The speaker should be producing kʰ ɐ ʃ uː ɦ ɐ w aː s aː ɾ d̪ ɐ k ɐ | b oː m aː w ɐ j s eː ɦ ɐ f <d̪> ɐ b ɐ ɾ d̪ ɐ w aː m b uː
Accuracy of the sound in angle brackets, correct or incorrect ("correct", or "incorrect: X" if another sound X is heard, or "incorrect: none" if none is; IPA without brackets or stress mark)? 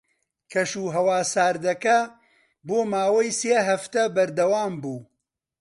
incorrect: t̪